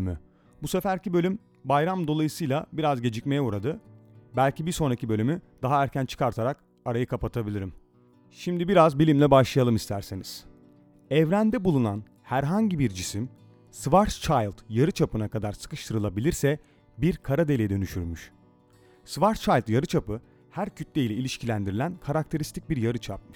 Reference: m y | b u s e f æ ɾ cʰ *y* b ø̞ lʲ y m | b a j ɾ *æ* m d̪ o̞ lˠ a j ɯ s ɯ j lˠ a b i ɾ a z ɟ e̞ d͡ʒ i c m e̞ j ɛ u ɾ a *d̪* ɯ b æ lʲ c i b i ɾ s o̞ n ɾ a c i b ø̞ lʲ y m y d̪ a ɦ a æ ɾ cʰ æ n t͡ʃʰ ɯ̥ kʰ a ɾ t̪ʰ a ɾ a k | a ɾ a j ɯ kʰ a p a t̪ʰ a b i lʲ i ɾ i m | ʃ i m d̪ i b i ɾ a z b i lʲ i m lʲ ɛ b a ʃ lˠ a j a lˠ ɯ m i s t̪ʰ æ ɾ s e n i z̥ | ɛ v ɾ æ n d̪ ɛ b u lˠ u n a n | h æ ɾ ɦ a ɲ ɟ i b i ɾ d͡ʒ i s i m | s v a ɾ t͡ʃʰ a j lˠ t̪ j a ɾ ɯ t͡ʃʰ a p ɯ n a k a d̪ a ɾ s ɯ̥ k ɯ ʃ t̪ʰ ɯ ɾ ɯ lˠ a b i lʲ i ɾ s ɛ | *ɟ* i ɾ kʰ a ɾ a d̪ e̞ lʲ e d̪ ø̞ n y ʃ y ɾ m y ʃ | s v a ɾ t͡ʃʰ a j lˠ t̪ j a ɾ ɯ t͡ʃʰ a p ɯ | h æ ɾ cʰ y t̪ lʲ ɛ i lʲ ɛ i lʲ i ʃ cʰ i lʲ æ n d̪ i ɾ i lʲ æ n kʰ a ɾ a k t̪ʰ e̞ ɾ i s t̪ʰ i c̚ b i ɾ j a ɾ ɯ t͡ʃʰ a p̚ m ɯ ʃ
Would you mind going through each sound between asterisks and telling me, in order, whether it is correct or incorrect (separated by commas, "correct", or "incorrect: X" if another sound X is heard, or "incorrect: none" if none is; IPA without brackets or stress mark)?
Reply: incorrect: i, incorrect: a, correct, incorrect: b